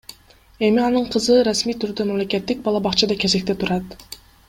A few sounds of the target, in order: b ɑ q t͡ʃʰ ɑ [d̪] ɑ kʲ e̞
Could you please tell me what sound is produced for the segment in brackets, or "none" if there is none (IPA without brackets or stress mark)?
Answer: d̪